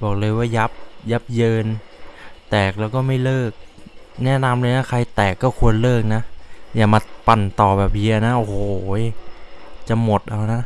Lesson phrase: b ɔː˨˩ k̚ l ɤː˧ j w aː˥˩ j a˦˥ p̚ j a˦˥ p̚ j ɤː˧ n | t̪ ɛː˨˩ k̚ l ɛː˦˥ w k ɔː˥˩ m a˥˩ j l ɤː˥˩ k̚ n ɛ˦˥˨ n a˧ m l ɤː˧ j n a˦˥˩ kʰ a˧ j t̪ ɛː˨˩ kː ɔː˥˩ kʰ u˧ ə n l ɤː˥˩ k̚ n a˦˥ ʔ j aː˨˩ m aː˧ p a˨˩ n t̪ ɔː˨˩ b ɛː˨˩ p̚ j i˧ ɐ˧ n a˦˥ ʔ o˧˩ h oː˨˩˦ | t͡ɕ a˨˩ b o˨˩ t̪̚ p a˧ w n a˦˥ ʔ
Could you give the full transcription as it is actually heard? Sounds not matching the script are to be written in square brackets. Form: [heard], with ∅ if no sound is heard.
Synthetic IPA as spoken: b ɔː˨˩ k̚ l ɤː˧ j w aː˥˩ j a˦˥ p̚ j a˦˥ p̚ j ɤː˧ n | t̪ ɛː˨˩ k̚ l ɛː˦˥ w k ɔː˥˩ m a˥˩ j l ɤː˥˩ k̚ n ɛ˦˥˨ n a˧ m l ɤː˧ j n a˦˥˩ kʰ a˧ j t̪ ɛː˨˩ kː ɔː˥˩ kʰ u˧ ə n l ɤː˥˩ k̚ n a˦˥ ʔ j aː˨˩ m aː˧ p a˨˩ n t̪ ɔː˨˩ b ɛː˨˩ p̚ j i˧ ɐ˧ n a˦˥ ʔ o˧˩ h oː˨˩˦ | t͡ɕ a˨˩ [m] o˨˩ t̪̚ [ʔ] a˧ w n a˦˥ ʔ